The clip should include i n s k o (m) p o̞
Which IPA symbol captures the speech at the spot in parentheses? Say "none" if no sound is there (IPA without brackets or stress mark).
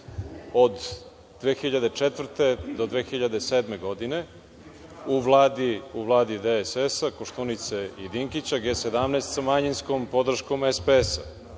m